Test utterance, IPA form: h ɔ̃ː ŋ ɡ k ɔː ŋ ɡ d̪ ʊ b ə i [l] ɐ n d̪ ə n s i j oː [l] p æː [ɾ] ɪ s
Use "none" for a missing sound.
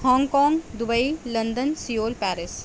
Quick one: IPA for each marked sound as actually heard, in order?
l, l, ɾ

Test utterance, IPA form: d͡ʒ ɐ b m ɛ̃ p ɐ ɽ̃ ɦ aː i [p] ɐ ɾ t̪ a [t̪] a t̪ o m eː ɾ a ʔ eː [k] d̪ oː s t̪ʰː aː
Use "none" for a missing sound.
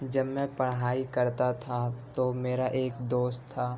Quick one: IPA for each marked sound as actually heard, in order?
k, t̪ʰ, k

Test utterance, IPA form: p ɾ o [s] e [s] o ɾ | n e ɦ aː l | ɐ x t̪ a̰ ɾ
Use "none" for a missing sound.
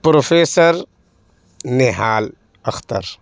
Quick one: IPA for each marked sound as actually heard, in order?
f, s

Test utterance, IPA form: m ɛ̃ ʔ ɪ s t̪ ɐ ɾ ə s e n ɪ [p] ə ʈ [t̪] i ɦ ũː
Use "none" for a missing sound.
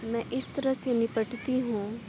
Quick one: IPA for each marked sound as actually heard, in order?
p, t̪

